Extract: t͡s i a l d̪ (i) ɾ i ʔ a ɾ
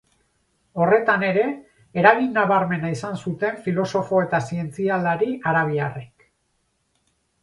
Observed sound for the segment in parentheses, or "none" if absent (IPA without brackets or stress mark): a